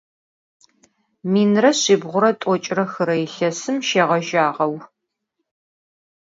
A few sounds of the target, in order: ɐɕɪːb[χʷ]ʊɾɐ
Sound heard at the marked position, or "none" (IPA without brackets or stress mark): ʁʷ